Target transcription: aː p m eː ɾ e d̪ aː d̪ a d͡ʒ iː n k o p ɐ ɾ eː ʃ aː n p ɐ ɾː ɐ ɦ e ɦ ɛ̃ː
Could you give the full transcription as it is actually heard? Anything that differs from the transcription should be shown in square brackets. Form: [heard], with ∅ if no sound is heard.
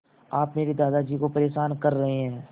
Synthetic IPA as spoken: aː p m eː ɾ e d̪ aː d̪ a d͡ʒ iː [∅] k o p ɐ ɾ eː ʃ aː n [k] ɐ ɾː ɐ ɦ e ɦ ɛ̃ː